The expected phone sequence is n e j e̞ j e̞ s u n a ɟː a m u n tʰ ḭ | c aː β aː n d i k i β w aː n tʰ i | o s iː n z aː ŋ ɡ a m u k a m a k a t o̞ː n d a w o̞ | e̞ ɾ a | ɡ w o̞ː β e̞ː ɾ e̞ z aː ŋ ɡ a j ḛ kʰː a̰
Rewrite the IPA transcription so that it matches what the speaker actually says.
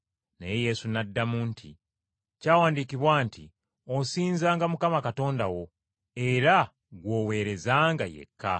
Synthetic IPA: n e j e̞ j e̞ s u n a dː a m u n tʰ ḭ | c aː w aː n d i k i β w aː n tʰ i | o s iː n z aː ŋ ɡ a m u k a m a k a t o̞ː n d a w o̞ | e̞ ɾ a | ɡ w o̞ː w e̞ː ɾ e̞ z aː ŋ ɡ a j ḛ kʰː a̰

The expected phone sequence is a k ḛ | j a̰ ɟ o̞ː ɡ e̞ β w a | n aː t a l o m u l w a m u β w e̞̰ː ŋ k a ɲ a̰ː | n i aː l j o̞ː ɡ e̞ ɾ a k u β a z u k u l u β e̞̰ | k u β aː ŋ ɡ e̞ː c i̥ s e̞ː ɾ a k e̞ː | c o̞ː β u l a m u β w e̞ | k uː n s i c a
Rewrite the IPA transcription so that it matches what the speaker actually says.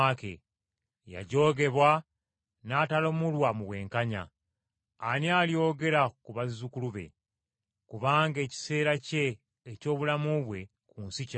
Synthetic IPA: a k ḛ | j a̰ ɟ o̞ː ɡ e̞ β w a | n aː t a l o m u l w a m u β w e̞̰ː ŋ k a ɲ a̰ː | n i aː l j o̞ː ɡ e̞ ɾ a k u β a z u k u l u β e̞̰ | k u β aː ŋ ɡ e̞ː c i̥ s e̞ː ɾ a c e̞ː | c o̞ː β u l a m u β w e̞ | k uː n s i c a

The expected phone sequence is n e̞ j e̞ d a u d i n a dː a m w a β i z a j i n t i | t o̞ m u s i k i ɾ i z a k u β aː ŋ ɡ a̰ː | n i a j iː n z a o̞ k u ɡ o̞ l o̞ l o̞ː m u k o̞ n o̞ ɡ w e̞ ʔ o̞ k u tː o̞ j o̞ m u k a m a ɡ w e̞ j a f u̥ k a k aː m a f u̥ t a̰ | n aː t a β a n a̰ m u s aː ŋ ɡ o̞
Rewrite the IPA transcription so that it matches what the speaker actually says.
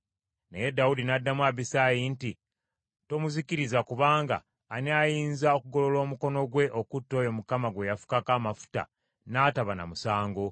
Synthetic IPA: n e̞ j e̞ d a u d i n a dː a m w a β i s a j i n t i | t o̞ m u z i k i ɾ i z a k u β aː ŋ ɡ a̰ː | n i a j iː n z a o̞ k u ɡ o̞ l o̞ l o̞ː m u k o̞ n o̞ ɡ w e̞ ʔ o̞ k u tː o̞ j o̞ m u k a m a ɡ w e̞ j a f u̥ k a k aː m a f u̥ t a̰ | n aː t a β a n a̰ m u s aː ŋ ɡ o̞

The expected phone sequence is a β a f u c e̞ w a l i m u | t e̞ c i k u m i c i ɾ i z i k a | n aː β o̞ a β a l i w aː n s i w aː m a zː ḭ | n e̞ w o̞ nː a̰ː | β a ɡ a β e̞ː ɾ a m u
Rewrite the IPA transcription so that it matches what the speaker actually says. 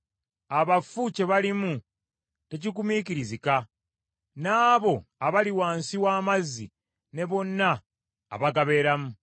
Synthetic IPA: a β a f u c e̞ β a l i m u | t e̞ c i k u m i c i ɾ i z i k a | n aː β o̞ a β a l i w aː n s i w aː m a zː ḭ | n e̞ β o̞ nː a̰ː | β a ɡ a β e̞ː ɾ a m u

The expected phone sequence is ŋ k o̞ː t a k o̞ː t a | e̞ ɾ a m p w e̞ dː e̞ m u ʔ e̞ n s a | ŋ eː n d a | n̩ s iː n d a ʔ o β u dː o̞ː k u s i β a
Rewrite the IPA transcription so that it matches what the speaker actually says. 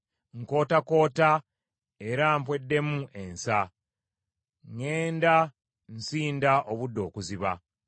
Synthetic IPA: ŋ k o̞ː t a k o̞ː t a | e̞ ɾ a m p w e̞ dː e̞ m u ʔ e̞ n s a | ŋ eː n d a | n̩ s iː n d a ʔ o β u dː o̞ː k u z i β a

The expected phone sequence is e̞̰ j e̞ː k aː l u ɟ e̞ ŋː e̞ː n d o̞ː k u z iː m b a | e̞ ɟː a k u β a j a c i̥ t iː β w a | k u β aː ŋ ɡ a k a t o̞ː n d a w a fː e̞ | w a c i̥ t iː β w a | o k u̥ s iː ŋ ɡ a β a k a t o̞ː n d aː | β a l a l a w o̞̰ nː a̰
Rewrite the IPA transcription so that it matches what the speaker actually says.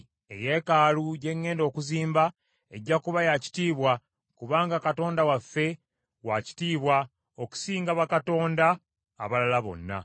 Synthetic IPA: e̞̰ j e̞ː k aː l u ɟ e̞ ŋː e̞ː n d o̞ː k u z iː m b a | e̞ ɟː a k u β a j a c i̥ t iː β w a | k u β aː ŋ ɡ a k a t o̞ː n d a w a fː e̞ | w a c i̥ t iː β w a | o k u̥ s iː ŋ ɡ a β a k a t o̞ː n d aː | β a l a l a β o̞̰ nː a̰

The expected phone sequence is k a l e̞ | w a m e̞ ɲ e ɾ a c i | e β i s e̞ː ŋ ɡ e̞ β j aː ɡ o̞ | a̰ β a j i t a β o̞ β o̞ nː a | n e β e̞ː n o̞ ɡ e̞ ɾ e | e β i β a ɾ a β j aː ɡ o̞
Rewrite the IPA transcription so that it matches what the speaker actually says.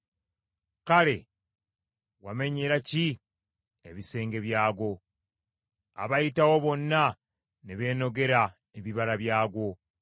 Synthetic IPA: k a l e̞ | w a m e̞ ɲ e ɾ a c i | e β i s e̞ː ŋ ɡ e̞ β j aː ɡ o̞ | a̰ β a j i t a w o̞ β o̞ nː a | n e β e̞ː n o̞ ɡ e̞ ɾ a | e β i β a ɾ a β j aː ɡ o̞

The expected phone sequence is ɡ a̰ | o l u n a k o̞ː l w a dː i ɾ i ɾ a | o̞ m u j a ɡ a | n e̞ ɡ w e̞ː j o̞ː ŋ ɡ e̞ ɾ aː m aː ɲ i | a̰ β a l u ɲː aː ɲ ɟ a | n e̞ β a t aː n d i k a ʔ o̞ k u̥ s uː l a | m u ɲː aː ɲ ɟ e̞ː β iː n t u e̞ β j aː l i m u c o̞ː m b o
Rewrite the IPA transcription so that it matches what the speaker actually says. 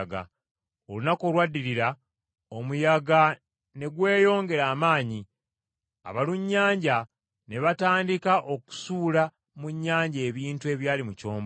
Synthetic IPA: ɡ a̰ | o l u n a k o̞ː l w a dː i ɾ i ɾ a | o̞ m u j a ɡ a | n e̞ ɡ w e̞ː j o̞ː ŋ ɡ e̞ ɾ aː m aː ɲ i | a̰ β a l u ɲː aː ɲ ɟ a | n e̞ β a t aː n d i k a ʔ o̞ k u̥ s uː l a | m u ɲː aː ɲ ɟ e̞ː β iː n t u e̞ β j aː l i m u c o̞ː m b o

